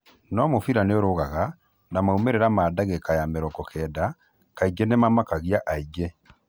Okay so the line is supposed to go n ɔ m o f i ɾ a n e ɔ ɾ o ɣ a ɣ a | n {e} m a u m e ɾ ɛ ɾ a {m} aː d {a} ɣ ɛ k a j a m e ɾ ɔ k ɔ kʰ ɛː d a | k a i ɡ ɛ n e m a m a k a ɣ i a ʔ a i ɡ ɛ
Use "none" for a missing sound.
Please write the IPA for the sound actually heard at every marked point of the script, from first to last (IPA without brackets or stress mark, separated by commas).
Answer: a, m, a